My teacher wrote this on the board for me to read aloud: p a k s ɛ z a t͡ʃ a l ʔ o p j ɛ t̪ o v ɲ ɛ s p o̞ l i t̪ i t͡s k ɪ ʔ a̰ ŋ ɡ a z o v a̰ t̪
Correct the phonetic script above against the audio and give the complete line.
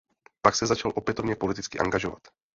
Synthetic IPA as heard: p a k s ɛ z a t͡ʃ a l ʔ o p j ɛ t̪ o v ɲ ɛ p o̞ l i t̪ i t͡s k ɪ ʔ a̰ ŋ ɡ a ʒ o v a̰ t̪